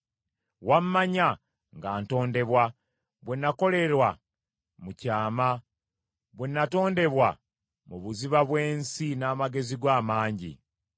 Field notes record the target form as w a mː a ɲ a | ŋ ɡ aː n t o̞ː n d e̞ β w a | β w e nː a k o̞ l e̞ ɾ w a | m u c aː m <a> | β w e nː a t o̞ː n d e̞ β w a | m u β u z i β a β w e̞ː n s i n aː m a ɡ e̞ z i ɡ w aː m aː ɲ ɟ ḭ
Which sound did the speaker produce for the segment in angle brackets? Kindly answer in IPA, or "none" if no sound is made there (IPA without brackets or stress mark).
a